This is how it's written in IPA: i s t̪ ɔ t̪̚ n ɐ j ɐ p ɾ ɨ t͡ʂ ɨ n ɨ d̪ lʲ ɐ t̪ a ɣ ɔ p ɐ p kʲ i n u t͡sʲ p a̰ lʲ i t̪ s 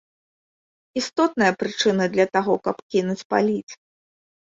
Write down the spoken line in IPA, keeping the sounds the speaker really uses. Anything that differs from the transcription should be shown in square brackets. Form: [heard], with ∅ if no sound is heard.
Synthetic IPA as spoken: i s t̪ ɔ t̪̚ n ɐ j ɐ p ɾ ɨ t͡ʂ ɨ n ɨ d̪ lʲ ɐ t̪ a ɣ ɔ [k] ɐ p kʲ i n u t͡sʲ p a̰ lʲ i t̪ s